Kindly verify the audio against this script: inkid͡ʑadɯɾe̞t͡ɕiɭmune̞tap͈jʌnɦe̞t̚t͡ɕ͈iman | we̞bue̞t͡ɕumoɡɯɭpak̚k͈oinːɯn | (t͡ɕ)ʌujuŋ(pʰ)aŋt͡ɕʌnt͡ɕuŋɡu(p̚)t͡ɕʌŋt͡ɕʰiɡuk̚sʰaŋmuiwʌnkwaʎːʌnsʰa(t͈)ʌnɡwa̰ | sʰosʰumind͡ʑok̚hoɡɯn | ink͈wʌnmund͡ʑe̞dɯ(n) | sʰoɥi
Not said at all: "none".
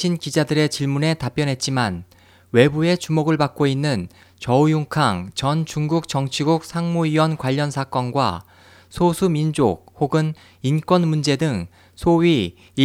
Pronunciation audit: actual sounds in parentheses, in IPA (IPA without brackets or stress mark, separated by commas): t͡ɕ, kʰ, k̚, k͈, ŋ